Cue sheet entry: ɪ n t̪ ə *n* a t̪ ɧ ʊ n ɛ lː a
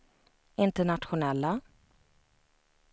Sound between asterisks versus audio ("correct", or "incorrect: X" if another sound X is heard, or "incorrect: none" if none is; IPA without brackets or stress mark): incorrect: ɳ